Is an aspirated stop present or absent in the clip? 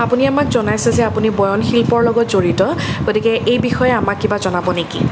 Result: absent